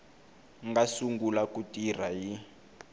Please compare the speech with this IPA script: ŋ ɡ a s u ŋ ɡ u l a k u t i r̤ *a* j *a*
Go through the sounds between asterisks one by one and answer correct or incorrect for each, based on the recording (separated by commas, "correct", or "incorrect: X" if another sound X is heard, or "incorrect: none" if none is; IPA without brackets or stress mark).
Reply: correct, incorrect: i